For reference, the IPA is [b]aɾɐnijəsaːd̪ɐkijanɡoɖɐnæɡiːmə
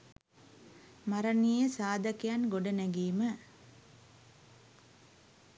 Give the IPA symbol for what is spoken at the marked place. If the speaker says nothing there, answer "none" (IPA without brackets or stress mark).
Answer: m